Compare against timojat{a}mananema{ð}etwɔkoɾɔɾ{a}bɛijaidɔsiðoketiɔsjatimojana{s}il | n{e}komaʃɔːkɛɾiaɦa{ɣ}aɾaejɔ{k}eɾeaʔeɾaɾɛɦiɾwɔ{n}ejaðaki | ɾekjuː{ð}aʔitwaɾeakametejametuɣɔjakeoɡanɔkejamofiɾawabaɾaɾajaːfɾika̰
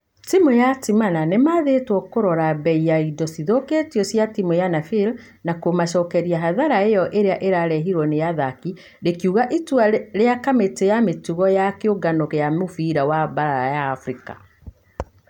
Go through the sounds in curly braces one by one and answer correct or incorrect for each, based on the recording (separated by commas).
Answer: incorrect, correct, correct, incorrect, incorrect, incorrect, incorrect, correct, incorrect